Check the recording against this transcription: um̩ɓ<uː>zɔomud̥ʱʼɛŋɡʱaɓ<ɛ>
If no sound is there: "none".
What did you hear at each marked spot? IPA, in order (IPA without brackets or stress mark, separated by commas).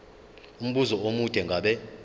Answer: u, ɛ